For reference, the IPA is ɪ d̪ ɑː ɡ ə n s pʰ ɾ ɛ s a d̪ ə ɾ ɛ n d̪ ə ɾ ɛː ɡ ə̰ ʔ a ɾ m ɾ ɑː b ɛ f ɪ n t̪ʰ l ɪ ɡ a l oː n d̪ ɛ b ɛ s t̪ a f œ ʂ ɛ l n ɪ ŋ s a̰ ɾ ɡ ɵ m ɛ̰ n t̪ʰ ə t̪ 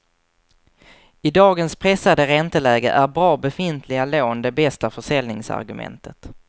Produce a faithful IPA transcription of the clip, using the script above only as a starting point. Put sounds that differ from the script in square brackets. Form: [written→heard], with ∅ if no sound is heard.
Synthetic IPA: ɪ d̪ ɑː ɡ ə n s pʰ ɾ ɛ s a d̪ ə ɾ ɛ n [d̪→t̪] ə [ɾ→l] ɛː ɡ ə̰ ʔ [a→æ] ɾ [m→b] ɾ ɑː b ɛ f ɪ n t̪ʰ l ɪ ɡ a l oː n d̪ ɛ b ɛ s t̪ a f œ ʂ ɛ l n ɪ ŋ s a̰ ɾ ɡ ɵ m ɛ̰ n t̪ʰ ə t̪